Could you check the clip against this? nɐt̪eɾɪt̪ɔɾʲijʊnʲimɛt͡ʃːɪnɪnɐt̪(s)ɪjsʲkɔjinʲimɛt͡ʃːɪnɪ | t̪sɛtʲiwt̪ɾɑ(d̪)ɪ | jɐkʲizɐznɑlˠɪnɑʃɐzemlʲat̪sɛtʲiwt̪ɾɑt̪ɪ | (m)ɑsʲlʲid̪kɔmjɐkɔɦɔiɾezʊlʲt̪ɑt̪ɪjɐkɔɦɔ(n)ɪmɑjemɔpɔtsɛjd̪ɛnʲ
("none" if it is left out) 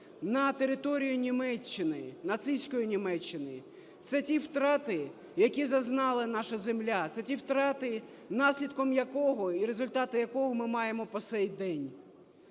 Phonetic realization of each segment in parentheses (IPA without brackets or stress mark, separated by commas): s, t̪, n, m